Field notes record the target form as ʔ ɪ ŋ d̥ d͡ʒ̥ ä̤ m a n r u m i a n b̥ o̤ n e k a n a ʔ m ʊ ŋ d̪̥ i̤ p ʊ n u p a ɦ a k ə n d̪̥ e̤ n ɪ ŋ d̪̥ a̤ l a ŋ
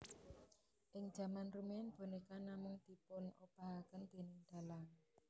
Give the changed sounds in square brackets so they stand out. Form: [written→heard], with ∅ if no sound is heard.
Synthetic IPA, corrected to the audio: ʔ ɪ ŋ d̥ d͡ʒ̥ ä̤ m a n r u m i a n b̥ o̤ n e k a n a [ʔ→∅] m ʊ ŋ d̪̥ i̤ p ʊ n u p a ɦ a k ə n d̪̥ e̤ n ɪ ŋ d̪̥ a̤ l a ŋ